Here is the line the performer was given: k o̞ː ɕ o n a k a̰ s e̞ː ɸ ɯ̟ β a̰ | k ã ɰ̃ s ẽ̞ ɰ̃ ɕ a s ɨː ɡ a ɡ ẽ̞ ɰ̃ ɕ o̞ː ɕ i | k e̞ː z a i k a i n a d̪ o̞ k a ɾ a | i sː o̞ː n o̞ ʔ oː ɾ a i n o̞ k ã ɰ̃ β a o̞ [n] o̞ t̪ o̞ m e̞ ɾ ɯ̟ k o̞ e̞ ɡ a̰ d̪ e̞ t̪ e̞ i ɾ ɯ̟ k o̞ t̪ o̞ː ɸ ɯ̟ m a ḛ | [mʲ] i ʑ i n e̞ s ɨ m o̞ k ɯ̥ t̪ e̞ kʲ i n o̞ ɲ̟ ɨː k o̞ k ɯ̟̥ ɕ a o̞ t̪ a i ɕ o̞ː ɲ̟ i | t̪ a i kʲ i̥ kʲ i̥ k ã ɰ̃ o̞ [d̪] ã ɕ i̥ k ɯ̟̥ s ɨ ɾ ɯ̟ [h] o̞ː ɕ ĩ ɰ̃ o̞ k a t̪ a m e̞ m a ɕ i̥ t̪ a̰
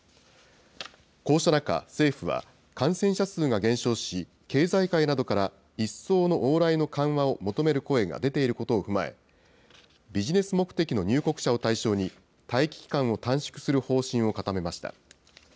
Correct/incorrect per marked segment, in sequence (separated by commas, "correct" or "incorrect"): incorrect, incorrect, incorrect, correct